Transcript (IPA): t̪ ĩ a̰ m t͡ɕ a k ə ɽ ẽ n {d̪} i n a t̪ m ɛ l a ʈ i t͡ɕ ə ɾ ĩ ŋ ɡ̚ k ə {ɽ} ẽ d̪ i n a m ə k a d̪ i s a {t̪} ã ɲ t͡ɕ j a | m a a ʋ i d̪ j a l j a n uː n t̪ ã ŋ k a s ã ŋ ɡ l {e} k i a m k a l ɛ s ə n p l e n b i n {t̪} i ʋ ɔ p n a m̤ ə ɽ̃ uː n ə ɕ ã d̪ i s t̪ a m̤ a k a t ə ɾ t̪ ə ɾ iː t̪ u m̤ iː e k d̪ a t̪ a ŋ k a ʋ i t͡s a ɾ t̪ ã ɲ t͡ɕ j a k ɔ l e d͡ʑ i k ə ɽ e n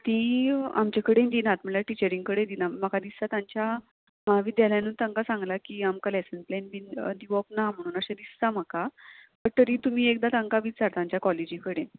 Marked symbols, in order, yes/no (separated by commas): yes, yes, yes, no, no